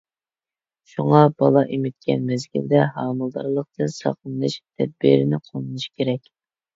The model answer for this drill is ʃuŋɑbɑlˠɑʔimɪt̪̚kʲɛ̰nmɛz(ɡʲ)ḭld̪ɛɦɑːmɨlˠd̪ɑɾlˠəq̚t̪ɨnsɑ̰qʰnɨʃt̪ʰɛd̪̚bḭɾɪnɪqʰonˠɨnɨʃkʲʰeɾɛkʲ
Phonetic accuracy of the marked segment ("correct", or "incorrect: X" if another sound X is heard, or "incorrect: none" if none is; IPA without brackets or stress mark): correct